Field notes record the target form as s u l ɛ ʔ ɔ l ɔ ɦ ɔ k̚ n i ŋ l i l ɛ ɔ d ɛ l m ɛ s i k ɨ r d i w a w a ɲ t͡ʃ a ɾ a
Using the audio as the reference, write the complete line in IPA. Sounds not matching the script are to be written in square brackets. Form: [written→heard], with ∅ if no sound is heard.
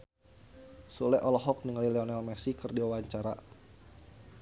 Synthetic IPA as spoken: s u l ɛ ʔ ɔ l ɔ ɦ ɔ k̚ n i ŋ l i l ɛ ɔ [d→n] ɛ l m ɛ s i k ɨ r d i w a w a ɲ t͡ʃ a ɾ a